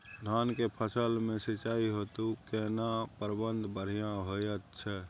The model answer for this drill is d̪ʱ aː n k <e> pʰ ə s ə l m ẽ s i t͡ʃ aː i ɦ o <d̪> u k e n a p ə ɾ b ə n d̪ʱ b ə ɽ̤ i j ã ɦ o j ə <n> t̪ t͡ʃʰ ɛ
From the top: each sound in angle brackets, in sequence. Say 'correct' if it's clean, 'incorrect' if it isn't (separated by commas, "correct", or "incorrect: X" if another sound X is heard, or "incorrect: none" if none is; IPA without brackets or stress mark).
correct, incorrect: t̪, incorrect: none